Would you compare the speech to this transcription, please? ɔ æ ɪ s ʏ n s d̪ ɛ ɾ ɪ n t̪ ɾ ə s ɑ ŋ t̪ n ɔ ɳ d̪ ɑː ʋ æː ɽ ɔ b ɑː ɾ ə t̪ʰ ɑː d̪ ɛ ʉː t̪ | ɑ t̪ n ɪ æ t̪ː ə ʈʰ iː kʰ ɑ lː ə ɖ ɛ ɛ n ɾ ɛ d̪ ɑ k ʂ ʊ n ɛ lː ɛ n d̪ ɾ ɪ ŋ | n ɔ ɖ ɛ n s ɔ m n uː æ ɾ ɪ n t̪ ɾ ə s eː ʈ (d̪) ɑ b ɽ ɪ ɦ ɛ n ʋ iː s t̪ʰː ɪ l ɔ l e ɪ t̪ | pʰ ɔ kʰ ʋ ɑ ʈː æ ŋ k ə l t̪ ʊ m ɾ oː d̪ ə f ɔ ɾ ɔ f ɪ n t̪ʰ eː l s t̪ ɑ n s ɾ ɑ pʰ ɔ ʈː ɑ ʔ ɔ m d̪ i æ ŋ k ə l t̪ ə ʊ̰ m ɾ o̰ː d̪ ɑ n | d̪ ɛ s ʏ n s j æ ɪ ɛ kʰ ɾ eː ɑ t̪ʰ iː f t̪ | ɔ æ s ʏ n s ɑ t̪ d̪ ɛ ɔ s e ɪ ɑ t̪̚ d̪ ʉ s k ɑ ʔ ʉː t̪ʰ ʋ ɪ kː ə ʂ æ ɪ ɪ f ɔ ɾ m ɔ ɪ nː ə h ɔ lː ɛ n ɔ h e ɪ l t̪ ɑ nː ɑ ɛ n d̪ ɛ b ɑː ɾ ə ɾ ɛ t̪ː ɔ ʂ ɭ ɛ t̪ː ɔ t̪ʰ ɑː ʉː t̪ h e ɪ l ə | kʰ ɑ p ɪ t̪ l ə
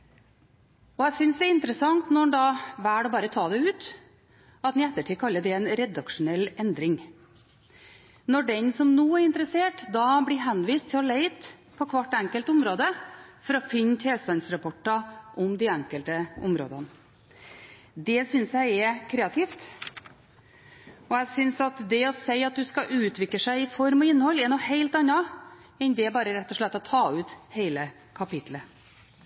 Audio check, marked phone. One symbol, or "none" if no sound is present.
d̪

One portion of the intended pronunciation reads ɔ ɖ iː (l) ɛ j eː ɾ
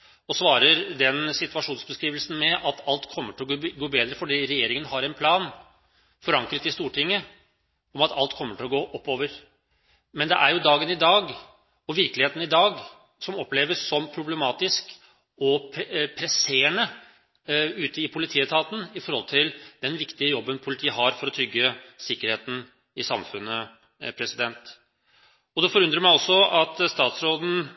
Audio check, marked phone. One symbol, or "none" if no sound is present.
ɾ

